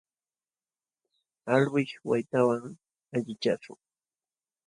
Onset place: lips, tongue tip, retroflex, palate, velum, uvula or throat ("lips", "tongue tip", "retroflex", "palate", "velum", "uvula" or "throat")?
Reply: tongue tip